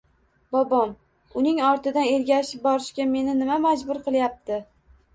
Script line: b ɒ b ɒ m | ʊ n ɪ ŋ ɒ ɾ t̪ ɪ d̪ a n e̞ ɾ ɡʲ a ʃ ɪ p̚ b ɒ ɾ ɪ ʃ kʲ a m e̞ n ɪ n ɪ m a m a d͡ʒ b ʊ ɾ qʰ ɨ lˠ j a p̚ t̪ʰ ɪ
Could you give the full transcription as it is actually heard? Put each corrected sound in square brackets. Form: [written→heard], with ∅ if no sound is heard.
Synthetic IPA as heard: b ɒ b ɒ m | ʊ n ɪ ŋ ɒ ɾ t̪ ɪ d̪ a n e̞ ɾ ɡʲ a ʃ ɪ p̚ b ɒ ɾ ɪ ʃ kʲ a m e̞ n ɪ n ɪ m a m a d͡ʒ b ʊ ɾ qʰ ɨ lˠ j a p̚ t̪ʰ ɪ

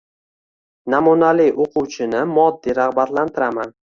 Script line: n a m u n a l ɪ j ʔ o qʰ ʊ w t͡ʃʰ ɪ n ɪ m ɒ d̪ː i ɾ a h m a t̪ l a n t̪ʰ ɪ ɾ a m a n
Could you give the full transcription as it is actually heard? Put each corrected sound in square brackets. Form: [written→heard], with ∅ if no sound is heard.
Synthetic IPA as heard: n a m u n a l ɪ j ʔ o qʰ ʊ w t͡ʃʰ ɪ n ɪ m ɒ d̪ː i ɾ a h [m→b] a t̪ l a n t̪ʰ ɪ ɾ a m a n

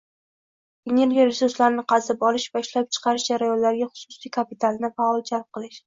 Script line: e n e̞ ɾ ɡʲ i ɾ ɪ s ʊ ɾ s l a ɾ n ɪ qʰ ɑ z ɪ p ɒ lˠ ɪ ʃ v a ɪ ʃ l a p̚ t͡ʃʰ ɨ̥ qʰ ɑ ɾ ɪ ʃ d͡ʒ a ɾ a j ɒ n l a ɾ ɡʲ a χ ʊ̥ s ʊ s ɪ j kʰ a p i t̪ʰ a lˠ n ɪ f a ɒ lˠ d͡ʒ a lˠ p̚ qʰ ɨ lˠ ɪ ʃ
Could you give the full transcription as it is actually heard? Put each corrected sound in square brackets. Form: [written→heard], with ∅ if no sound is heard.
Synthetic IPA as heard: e n e̞ ɾ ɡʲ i ɾ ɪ s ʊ ɾ s l a ɾ n ɪ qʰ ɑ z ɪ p ɒ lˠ ɪ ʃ v a ɪ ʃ l a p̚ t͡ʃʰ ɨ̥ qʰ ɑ ɾ ɪ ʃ d͡ʒ a ɾ a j ɒ n l a ɾ ɡʲ a χ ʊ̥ s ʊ s [ɪ→i] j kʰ a p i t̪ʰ a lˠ n ɪ f a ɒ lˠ d͡ʒ a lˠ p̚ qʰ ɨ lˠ ɪ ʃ

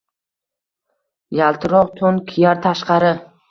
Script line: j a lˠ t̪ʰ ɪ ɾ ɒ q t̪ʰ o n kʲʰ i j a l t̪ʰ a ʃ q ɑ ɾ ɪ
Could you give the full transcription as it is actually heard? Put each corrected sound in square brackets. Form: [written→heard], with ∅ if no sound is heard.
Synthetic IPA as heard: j a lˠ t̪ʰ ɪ ɾ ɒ q t̪ʰ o n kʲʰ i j a [l→ɾ] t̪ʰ a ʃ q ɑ ɾ ɪ

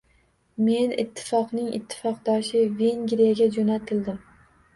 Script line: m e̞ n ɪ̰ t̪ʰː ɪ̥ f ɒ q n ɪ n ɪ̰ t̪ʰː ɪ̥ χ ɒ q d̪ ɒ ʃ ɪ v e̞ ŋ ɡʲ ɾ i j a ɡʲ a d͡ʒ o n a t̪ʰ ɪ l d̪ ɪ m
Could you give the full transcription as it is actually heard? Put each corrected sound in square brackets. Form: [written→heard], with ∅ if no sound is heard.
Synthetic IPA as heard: m e̞ n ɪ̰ t̪ʰː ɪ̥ f ɒ q n ɪ [n→ŋ] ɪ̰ t̪ʰː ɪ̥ [χ→f] ɒ q d̪ ɒ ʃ ɪ v e̞ ŋ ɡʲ ɾ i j a ɡʲ a d͡ʒ o n a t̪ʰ ɪ l d̪ ɪ m

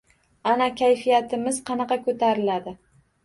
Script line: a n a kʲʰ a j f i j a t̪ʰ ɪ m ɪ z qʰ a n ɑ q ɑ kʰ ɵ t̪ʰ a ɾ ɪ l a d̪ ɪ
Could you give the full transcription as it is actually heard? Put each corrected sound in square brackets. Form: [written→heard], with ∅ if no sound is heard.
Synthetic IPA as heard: a n a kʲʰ a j f i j a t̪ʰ ɪ m ɪ z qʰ [a→ɑ] n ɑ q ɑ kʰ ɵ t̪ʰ a ɾ ɪ l a d̪ ɪ

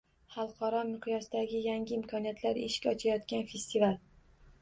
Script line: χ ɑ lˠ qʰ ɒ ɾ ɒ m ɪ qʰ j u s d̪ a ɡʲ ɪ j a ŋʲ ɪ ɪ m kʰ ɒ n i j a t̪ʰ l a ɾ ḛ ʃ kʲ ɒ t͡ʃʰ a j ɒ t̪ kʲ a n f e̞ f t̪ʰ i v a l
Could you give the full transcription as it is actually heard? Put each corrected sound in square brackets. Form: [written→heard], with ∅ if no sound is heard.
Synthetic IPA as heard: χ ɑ lˠ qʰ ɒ ɾ ɒ m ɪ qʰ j [u→ɒ] s d̪ a ɡʲ ɪ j a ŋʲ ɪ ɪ m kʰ ɒ n i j a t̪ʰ l a ɾ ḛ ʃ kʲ ɒ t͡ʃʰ a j ɒ t̪ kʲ a n f e̞ [f→s] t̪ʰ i v a l

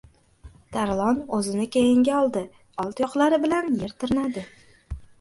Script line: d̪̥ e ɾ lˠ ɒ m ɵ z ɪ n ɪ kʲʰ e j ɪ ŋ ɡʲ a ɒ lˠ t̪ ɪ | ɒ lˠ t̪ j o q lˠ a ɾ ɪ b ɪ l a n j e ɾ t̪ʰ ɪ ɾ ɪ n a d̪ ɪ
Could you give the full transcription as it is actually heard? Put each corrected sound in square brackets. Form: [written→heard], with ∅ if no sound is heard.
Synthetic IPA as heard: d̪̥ [e→a] ɾ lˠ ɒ [m→n] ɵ z ɪ n ɪ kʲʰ e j ɪ ŋ ɡʲ a ɒ lˠ [t̪→d̪] ɪ | ɒ lˠ t̪ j [o→ɒ] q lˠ a ɾ ɪ b ɪ l a n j e ɾ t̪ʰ ɪ ɾ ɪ n a d̪ ɪ

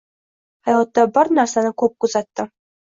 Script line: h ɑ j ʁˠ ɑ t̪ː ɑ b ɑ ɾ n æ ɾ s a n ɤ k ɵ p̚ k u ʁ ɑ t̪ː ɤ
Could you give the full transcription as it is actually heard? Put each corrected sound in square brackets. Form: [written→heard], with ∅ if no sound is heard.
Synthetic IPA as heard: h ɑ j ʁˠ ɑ t̪ː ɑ b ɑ ɾ n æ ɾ s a n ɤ k ɵ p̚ k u [ʁ→z] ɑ t̪ː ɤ

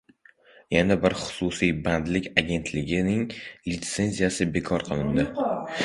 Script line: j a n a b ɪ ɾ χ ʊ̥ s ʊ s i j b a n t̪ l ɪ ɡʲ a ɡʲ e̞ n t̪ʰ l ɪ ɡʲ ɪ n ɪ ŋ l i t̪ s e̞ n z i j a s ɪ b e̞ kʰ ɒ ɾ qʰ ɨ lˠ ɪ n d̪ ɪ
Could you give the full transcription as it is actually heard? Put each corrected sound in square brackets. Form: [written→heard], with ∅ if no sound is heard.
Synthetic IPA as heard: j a n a b ɪ ɾ χ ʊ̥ s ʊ s i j b a n [t̪→d̪] l ɪ [ɡʲ→kʲ] a ɡʲ e̞ n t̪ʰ l ɪ ɡʲ ɪ n ɪ ŋ l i t̪ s e̞ n z i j a s ɪ b e̞ kʰ ɒ ɾ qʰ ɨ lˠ ɪ n d̪ ɪ

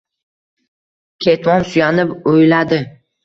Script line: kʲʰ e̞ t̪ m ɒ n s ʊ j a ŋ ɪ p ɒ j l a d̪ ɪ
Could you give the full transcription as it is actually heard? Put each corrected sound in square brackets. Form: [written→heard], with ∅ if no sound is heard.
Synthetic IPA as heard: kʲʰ e̞ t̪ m ɒ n s ʊ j a [ŋ→n] ɪ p [ɒ→o] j l a d̪ ɪ

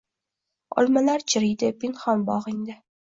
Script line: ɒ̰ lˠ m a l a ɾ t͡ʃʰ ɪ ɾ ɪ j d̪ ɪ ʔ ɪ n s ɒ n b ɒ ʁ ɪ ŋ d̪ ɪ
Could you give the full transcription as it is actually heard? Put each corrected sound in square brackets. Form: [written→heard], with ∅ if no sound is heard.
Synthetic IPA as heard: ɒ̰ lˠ m a l a ɾ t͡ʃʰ ɪ ɾ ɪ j d̪ ɪ [ʔ→p] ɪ n [s→χ] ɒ n b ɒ ʁ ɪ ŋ d̪ ɪ

